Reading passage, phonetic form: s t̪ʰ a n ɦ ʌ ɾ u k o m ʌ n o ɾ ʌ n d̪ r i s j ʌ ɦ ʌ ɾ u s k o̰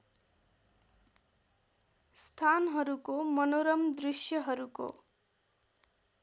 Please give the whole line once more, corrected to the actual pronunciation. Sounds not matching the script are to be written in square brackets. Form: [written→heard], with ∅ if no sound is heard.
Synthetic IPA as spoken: s t̪ʰ a n ɦ ʌ ɾ u k o m ʌ n o ɾ ʌ [n→m] d̪ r i s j ʌ ɦ ʌ ɾ u [s→∅] k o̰